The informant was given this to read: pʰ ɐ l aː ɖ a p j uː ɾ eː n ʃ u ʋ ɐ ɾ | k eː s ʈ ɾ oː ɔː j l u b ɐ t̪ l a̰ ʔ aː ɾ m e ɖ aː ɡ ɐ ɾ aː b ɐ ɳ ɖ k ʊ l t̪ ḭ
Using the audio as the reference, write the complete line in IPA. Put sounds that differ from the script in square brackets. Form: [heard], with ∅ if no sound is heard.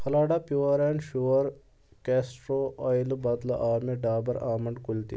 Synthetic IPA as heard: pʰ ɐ l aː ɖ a p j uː ɾ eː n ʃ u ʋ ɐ ɾ | k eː s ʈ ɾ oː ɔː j l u b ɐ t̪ l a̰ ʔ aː ɾ m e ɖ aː [b] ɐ ɾ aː [m] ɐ ɳ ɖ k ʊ l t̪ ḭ